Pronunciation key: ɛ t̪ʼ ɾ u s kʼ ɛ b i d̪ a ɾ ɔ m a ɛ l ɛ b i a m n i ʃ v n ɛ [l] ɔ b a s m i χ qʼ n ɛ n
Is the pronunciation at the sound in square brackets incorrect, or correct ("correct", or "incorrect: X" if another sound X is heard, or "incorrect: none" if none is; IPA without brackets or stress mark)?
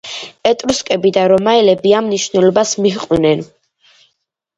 correct